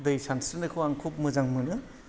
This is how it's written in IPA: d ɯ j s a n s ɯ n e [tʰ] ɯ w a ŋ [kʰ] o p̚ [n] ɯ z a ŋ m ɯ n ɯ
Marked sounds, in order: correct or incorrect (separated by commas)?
incorrect, correct, incorrect